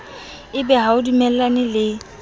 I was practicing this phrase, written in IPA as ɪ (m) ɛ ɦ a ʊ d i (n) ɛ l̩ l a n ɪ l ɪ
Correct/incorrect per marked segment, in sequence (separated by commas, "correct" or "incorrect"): incorrect, incorrect